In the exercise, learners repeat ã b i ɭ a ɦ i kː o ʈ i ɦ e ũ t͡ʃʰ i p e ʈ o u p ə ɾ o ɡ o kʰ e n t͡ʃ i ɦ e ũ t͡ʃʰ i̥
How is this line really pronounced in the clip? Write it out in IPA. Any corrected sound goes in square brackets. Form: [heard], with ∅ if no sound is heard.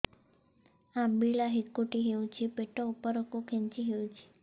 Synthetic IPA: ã b i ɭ a ɦ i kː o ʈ i ɦ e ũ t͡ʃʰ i p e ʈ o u p ə ɾ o [k] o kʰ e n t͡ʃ i ɦ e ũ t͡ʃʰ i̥